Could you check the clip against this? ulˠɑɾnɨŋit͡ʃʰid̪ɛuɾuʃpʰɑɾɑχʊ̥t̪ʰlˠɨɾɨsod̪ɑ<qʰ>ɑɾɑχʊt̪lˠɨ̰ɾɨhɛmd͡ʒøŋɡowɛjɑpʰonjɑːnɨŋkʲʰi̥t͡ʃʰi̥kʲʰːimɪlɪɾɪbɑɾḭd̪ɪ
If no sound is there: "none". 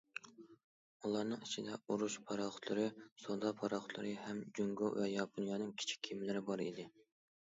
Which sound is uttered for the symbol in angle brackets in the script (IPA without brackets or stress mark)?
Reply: pʰ